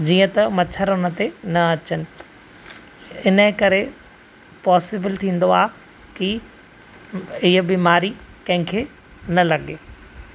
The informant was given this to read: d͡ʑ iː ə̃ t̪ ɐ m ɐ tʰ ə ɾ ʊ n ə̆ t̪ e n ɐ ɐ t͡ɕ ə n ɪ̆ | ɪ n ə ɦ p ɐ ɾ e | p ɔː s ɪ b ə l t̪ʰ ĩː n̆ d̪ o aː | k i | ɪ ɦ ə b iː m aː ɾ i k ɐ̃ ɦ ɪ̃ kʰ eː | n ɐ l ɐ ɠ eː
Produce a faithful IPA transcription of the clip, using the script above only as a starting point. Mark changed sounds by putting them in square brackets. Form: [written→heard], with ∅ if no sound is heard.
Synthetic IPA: d͡ʑ iː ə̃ t̪ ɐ m ɐ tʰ ə ɾ ʊ n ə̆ t̪ e n ɐ ɐ t͡ɕ ə n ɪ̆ | ɪ n ə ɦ [p→k] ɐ ɾ e | p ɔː s ɪ b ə l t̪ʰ ĩː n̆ d̪ o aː | k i | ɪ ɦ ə b iː m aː ɾ i k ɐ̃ ɦ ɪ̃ kʰ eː | n ɐ l ɐ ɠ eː